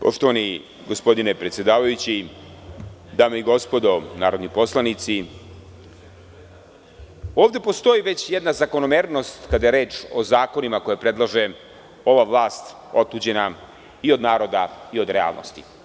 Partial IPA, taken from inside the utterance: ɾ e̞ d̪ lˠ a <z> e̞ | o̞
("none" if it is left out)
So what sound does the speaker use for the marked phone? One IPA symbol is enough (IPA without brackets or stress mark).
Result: ʒ